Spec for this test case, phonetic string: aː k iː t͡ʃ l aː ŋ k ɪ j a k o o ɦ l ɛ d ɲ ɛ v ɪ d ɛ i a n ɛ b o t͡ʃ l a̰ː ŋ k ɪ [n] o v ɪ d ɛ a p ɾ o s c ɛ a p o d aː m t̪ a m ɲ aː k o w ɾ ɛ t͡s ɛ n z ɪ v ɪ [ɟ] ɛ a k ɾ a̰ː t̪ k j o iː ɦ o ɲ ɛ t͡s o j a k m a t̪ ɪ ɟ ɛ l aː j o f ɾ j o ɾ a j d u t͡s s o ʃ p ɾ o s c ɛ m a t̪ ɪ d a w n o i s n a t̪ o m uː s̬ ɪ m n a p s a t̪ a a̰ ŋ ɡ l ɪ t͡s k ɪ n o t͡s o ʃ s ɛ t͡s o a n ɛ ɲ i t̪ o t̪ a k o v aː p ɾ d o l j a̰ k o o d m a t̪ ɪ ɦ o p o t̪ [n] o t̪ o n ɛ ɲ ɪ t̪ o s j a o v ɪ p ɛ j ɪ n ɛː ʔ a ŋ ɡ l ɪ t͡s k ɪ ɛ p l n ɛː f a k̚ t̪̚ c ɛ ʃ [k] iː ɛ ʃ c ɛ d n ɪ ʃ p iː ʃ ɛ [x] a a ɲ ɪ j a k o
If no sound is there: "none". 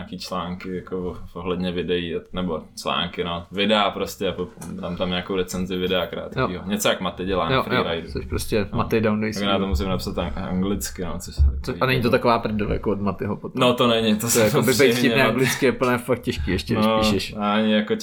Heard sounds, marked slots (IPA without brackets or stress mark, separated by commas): n, d, n, k, ʃ